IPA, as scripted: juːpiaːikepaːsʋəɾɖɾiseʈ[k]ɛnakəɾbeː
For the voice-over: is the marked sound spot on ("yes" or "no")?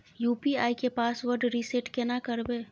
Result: yes